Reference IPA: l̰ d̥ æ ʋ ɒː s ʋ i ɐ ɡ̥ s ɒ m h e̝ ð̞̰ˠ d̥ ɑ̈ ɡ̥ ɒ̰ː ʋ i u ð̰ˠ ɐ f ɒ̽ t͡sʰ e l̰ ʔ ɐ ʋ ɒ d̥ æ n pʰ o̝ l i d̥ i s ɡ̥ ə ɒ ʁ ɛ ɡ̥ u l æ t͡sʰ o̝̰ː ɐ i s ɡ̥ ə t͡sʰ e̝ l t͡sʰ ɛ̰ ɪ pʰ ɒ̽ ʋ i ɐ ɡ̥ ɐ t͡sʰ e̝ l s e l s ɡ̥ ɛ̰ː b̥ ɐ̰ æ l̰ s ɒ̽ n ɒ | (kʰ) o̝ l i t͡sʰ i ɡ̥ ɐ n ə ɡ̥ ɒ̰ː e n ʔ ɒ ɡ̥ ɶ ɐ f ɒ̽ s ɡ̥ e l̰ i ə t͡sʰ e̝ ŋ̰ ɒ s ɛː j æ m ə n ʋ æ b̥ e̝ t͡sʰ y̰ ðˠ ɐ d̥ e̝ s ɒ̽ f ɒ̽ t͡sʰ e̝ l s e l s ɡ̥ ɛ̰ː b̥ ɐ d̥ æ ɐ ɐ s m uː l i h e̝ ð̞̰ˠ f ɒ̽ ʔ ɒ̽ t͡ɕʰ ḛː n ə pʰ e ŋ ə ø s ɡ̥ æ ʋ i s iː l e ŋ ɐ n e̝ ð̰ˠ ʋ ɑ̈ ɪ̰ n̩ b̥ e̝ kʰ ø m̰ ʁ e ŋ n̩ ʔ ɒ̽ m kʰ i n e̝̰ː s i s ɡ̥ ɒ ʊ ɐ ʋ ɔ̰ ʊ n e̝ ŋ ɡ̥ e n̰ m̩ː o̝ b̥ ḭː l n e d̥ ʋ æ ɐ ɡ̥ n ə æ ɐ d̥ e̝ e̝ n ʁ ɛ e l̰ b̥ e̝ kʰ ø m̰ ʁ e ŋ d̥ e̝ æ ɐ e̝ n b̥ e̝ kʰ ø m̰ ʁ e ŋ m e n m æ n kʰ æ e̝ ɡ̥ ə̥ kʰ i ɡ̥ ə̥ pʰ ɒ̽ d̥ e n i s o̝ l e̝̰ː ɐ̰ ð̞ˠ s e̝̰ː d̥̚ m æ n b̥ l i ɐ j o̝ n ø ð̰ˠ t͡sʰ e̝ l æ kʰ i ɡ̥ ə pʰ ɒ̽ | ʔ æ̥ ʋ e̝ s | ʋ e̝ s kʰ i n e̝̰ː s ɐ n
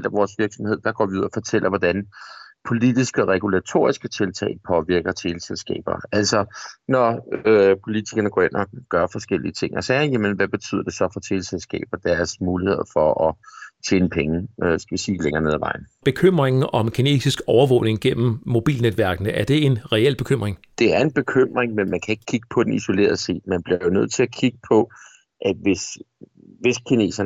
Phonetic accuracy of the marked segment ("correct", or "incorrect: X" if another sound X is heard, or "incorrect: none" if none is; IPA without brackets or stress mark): incorrect: pʰ